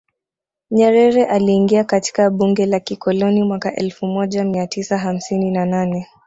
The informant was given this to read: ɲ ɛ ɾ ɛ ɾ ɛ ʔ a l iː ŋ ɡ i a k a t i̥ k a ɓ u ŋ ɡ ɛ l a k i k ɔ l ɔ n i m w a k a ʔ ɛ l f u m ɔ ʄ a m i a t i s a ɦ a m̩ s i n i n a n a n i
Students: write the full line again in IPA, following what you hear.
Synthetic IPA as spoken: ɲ ɛ ɾ ɛ ɾ ɛ ʔ a l iː ŋ ɡ i a k a t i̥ k a ɓ u ŋ ɡ ɛ l a k i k ɔ l ɔ n i m w a k a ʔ ɛ l f u m ɔ ʄ a m i a t i s a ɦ a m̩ s i n i n a n a n ɛ